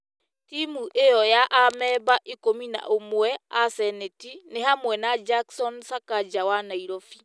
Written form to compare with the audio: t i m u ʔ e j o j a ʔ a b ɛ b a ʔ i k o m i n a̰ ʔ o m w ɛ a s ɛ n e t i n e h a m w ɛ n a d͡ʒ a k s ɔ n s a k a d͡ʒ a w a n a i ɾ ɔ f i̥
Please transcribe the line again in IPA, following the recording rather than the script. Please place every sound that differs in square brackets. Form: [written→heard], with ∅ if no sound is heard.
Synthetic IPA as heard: t i m u ʔ e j [o→ɔ] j a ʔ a [b→m] ɛ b a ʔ i k o m i n a̰ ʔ o m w ɛ a s ɛ n e t i n e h a m w ɛ n a d͡ʒ a k s ɔ n s a k a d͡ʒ a w a n a i ɾ ɔ f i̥